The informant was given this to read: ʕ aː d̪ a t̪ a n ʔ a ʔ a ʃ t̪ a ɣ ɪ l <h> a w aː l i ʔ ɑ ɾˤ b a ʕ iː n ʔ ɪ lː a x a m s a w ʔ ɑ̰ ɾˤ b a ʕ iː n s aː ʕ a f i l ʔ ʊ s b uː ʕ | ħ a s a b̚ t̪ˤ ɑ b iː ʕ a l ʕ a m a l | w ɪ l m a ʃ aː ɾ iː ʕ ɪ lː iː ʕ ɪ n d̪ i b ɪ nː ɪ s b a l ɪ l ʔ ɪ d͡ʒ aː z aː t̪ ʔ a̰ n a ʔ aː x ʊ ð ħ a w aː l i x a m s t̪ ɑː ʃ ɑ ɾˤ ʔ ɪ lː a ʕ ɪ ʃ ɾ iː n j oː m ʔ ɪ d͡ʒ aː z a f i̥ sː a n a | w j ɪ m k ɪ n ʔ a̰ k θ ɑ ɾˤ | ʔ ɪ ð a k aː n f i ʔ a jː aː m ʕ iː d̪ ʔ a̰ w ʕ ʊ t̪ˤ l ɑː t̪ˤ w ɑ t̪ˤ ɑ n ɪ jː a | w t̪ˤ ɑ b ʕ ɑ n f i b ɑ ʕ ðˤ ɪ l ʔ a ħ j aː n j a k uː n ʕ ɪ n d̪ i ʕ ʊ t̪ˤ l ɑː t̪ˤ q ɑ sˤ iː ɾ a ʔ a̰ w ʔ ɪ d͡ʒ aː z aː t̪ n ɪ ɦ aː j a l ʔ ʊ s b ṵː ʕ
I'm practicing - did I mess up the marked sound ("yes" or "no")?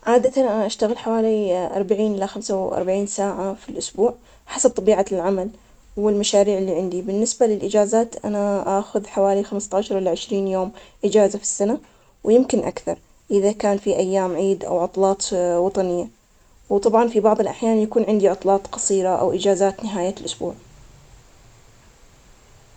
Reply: yes